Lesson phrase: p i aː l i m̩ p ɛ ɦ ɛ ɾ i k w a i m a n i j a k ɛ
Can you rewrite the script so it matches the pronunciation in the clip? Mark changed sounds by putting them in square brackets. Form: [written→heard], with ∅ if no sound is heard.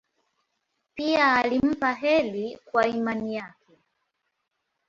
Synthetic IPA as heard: p i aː l i m̩ p [ɛ→a] ɦ ɛ [ɾ→l] i k w a i m a n i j a k ɛ